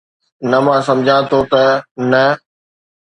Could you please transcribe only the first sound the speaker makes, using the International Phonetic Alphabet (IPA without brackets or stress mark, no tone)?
n